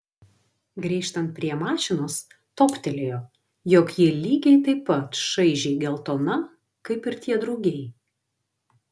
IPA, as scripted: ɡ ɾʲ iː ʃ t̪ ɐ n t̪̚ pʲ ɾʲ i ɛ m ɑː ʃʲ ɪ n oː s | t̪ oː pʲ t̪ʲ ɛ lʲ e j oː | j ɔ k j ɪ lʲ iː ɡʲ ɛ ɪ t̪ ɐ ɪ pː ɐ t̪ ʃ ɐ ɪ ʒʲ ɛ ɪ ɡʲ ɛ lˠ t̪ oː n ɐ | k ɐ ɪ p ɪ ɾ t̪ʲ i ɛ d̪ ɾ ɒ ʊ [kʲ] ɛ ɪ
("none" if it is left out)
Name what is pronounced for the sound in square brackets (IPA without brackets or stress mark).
ɡʲ